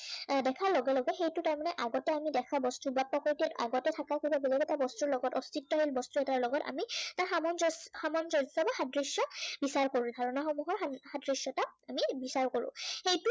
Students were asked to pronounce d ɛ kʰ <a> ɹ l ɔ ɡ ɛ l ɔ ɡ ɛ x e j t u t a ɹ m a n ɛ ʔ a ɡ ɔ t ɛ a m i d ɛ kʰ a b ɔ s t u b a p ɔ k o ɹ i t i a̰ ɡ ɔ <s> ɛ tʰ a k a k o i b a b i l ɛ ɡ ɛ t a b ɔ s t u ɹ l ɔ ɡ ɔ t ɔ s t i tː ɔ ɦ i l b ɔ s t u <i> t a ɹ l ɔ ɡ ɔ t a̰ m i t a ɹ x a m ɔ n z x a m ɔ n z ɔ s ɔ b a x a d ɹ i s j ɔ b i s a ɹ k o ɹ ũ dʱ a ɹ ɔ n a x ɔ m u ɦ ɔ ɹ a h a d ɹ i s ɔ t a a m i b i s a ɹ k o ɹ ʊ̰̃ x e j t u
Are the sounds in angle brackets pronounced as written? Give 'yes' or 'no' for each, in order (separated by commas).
yes, no, no